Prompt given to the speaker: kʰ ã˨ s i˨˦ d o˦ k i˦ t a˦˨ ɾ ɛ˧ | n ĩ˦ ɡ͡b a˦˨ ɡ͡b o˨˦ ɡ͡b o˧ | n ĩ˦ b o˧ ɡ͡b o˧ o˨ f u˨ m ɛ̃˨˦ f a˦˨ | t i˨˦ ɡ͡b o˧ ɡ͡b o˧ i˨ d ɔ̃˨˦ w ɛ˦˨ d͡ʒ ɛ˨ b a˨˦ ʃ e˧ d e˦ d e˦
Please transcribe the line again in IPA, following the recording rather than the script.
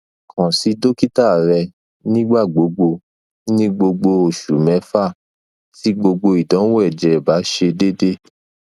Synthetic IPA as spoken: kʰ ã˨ s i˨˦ d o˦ k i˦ t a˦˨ ɾ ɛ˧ | n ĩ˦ ɡ͡b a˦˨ ɡ͡b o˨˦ ɡ͡b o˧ | n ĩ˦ ɡ͡b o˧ ɡ͡b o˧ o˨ ʃ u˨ m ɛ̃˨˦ f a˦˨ | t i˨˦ ɡ͡b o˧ ɡ͡b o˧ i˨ d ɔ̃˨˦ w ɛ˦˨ d͡ʒ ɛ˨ b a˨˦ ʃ e˧ d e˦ d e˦

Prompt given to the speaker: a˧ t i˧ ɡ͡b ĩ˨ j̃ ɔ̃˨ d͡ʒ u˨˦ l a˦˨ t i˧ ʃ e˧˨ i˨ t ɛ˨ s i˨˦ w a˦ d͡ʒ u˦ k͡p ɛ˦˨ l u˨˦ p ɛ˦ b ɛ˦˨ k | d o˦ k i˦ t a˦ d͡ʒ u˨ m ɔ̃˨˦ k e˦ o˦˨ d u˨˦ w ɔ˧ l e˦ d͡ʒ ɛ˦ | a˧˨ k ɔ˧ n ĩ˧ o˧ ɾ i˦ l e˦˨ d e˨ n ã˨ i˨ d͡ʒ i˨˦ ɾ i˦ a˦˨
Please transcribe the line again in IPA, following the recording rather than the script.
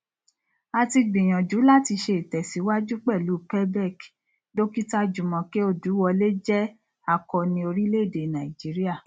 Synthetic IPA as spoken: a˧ t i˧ ɡ͡b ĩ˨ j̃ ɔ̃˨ d͡ʒ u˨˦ l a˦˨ t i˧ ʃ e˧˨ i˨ t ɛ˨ s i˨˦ w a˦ d͡ʒ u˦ k͡p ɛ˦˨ l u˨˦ p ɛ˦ b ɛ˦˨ k | d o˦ k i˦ t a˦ d͡ʒ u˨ m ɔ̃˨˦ k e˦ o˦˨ d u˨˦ w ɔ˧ l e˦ d͡ʒ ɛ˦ | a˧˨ k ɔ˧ n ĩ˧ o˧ ɾ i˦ l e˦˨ d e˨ n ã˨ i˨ d͡ʒ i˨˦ ɾ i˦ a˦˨

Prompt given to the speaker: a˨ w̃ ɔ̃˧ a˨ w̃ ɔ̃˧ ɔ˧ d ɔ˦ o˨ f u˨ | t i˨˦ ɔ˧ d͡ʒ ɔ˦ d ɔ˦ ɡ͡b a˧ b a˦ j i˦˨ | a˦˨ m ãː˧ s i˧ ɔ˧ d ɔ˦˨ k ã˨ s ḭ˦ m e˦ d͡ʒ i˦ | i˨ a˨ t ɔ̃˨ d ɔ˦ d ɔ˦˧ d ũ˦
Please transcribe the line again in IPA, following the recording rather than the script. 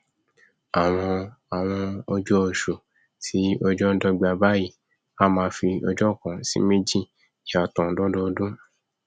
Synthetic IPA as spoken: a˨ w̃ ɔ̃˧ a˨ w̃ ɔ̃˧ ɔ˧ d͡ʒ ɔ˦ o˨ ʃ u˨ | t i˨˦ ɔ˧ d͡ʒ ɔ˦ d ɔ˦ ɡ͡b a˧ b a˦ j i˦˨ | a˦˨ m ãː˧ f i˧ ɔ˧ d͡ʒ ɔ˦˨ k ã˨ s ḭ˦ m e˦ d͡ʒ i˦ | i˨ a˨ t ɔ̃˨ d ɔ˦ d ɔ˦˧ d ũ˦

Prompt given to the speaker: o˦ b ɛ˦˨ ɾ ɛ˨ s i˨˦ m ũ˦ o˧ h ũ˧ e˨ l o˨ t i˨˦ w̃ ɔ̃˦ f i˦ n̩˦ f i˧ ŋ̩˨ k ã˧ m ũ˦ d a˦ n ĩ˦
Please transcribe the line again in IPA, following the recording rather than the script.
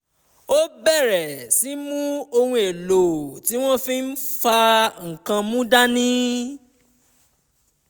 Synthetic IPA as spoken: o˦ b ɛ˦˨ ɾ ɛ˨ s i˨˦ m ũ˦ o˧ h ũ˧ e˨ l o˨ t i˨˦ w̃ ɔ̃˦ f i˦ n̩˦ f a˧ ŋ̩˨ k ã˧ m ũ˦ d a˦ n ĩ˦

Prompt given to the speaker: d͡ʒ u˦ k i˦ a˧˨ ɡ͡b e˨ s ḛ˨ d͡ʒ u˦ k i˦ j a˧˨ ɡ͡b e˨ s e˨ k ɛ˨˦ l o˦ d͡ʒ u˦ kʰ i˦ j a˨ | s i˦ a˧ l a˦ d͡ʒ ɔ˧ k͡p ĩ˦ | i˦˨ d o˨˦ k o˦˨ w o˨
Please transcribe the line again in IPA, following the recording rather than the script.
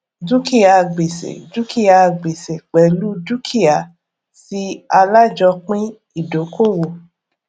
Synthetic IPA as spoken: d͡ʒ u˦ k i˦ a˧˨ ɡ͡b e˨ s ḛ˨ d͡ʒ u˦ k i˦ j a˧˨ ɡ͡b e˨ s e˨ k͡p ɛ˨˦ l u˦ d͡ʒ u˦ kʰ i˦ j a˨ | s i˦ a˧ l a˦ d͡ʒ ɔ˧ k͡p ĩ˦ | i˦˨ d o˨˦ k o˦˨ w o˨

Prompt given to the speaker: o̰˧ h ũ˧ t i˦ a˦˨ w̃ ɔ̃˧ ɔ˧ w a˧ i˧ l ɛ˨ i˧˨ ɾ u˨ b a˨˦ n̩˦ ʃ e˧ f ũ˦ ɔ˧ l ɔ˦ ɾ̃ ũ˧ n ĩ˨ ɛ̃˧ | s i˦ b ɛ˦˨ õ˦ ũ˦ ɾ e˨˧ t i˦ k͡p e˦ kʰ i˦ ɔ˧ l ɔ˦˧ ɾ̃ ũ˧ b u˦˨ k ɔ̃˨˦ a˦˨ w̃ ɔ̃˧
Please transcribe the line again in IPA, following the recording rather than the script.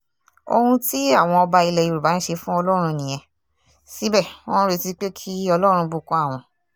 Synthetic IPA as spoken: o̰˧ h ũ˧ t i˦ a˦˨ w̃ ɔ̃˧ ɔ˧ b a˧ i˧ l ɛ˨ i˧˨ ɾ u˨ b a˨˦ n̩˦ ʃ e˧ f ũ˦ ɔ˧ l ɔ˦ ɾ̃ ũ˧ n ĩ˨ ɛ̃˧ | s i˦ b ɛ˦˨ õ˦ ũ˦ ɾ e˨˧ t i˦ k͡p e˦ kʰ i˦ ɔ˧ l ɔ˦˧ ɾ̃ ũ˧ b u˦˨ k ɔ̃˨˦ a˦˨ w̃ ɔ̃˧

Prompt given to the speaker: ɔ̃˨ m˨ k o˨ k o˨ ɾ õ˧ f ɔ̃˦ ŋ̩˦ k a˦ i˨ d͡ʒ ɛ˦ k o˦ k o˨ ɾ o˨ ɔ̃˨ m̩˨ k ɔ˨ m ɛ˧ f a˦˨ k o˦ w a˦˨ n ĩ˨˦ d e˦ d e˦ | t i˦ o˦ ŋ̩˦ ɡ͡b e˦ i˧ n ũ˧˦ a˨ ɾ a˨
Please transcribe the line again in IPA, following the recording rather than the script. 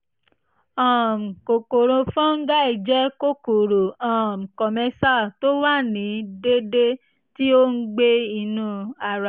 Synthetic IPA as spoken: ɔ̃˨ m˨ k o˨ k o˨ ɾ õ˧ f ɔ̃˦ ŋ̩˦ ɡ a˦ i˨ d͡ʒ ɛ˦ k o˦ k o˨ ɾ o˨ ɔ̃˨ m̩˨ k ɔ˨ m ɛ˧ s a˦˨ t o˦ w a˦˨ n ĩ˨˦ d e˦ d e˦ | t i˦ o˦ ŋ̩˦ ɡ͡b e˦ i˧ n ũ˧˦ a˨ ɾ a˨

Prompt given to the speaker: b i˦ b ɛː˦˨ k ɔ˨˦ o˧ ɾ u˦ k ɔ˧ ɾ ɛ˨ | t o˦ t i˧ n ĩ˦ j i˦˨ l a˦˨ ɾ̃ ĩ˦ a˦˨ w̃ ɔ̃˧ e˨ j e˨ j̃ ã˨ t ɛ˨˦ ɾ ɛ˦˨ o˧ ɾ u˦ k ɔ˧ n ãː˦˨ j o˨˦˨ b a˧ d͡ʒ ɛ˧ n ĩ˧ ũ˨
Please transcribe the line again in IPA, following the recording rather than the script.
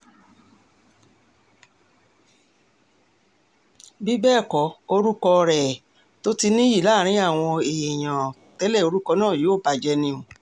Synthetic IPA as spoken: b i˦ b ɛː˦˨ k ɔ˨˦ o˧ ɾ u˦ k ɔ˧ ɾ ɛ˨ | t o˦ t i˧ n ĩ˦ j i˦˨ l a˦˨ ɾ̃ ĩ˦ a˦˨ w̃ ɔ̃˧ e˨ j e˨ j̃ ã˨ t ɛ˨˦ l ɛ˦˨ o˧ ɾ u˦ k ɔ˧ n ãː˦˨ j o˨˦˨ b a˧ d͡ʒ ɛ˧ n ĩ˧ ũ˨

